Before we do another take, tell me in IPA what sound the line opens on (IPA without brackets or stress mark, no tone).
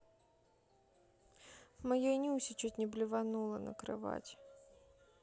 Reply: m